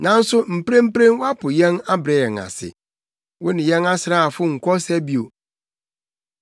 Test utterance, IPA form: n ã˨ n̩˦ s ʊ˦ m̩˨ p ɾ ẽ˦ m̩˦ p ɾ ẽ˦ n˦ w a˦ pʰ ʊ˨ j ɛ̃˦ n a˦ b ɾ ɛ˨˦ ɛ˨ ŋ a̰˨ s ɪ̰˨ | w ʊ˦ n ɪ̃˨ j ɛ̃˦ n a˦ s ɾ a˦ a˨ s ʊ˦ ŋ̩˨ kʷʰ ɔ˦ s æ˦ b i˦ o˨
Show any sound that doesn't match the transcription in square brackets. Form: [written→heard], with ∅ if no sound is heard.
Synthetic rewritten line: n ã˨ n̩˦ s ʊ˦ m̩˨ p ɾ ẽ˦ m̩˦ p ɾ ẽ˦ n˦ w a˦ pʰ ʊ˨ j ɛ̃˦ n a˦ b ɾ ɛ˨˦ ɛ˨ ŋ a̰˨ s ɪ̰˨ | w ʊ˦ n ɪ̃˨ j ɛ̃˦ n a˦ s ɾ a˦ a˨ [s→f] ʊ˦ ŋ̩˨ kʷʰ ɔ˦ s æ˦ b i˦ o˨